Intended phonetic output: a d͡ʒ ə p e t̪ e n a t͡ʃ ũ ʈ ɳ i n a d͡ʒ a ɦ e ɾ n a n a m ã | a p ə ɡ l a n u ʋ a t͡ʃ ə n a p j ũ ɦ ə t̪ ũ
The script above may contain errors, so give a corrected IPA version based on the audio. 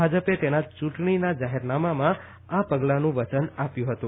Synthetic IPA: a d͡ʒ ə p e t̪ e n a t͡ʃ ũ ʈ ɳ i n a d͡ʒ a ɦ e ɾ n a m a m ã | a p ə ɡ l a n ũ ʋ ə t͡ʃ ə n a p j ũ ɦ ə t̪ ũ